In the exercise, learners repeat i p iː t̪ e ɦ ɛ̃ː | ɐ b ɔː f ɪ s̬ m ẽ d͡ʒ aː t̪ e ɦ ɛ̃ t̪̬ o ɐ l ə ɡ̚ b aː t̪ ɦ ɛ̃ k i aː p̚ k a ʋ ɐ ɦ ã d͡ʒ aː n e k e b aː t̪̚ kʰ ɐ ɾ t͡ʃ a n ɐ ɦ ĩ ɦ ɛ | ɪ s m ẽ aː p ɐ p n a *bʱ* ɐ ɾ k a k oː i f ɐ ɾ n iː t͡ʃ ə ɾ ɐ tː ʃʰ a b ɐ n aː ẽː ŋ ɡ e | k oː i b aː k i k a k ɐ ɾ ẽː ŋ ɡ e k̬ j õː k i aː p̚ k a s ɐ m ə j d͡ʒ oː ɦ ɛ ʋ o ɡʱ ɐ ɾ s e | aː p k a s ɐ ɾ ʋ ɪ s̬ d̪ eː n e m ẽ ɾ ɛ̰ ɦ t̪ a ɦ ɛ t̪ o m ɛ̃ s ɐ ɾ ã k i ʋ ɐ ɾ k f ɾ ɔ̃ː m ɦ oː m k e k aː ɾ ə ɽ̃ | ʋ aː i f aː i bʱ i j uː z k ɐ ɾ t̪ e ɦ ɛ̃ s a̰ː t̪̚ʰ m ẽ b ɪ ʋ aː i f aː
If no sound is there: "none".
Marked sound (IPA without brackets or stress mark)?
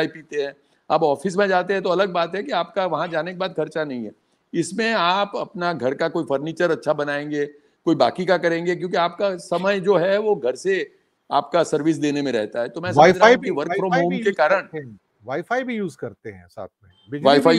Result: ɡʱ